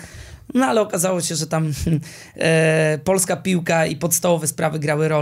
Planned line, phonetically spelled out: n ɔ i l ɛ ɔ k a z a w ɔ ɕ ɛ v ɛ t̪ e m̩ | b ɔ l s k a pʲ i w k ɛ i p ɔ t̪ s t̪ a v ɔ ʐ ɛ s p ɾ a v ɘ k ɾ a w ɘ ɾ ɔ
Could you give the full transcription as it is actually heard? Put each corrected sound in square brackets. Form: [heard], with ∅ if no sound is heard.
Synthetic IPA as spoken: n ɔ [a] l ɛ ɔ k a z a w ɔ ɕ ɛ [ʐ] ɛ t̪ [a] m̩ | [p] ɔ l s k a pʲ i w k [a] i p ɔ t̪ s t̪ a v ɔ [v] ɛ s p ɾ a v ɘ [ɡ] ɾ a w ɘ ɾ ɔ